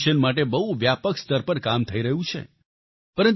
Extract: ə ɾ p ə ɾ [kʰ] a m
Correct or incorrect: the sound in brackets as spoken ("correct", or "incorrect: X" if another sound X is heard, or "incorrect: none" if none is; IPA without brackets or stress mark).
incorrect: k